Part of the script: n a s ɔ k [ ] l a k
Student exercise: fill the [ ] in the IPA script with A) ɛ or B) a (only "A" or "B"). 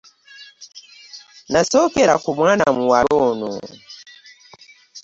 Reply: A